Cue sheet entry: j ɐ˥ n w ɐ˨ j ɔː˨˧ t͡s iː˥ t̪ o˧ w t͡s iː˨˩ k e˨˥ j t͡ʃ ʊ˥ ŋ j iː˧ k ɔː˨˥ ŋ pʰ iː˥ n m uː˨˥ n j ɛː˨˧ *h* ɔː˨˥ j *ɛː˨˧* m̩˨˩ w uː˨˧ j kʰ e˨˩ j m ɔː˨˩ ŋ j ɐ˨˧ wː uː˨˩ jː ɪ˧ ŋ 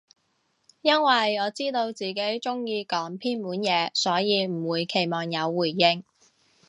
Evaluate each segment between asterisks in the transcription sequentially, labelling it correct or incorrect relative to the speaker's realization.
incorrect: s, incorrect: iː˨˧

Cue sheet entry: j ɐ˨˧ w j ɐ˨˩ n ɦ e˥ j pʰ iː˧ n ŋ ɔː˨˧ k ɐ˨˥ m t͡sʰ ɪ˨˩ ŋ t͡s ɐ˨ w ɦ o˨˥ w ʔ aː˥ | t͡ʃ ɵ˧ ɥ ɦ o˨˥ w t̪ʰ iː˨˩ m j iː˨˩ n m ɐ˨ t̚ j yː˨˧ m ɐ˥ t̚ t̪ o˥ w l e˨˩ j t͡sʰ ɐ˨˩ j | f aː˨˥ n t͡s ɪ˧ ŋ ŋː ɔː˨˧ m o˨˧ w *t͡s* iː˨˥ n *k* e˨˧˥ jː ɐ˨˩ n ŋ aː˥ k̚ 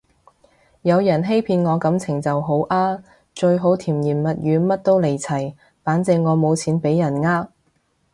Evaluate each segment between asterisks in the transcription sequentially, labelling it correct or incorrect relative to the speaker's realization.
incorrect: t͡sʰ, incorrect: p

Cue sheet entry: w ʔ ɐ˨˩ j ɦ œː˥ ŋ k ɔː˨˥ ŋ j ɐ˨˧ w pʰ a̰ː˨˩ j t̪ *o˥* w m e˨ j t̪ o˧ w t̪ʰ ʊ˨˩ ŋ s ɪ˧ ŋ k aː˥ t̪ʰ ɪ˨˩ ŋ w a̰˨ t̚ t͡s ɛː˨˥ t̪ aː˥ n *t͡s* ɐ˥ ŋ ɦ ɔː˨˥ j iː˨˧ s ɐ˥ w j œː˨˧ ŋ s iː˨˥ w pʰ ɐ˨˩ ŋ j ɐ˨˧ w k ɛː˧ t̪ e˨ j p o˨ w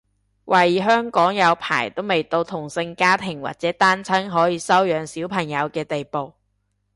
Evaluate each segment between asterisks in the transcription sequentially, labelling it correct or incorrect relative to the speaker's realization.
correct, incorrect: t͡sʰ

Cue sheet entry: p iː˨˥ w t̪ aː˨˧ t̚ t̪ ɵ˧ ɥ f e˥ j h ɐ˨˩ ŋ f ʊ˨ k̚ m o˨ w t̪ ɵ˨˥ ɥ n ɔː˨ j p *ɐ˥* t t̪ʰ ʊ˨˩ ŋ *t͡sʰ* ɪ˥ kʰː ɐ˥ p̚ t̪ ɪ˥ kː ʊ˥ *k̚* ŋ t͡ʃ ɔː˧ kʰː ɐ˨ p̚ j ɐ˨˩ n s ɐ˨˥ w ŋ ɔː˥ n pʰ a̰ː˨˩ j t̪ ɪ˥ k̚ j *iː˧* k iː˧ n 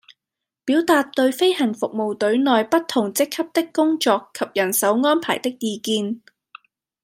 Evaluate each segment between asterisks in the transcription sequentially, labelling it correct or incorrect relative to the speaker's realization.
correct, incorrect: t͡s, incorrect: none, correct

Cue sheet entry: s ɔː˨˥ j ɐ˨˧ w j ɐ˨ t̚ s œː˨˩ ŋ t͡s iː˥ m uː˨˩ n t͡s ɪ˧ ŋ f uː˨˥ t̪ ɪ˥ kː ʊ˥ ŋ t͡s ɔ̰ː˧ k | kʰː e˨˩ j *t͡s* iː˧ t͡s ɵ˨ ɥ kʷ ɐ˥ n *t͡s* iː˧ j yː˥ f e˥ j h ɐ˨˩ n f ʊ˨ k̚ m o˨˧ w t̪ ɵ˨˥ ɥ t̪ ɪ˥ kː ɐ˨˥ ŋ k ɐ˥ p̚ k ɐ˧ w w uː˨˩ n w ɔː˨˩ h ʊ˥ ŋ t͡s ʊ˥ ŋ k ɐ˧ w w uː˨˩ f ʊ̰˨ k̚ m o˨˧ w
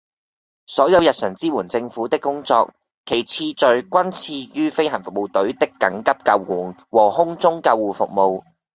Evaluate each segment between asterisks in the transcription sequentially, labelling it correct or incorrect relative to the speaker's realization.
incorrect: t͡sʰ, incorrect: t͡sʰ

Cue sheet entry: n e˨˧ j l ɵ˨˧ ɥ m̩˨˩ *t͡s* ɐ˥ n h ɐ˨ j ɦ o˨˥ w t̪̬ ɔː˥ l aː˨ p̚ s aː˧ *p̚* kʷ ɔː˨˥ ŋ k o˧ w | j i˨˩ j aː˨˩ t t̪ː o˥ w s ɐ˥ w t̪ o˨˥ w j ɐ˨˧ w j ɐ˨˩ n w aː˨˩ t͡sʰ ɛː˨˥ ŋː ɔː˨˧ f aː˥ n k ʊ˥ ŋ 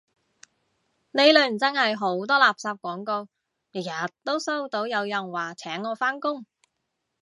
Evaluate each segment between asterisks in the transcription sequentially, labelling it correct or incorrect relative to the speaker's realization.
correct, correct

